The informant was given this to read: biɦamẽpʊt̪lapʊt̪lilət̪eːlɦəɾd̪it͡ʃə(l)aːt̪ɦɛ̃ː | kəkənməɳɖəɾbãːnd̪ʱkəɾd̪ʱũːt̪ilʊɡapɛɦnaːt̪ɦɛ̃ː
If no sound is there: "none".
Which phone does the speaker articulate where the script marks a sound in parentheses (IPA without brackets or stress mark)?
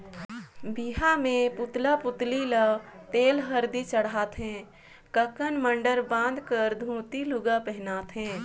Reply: ɽ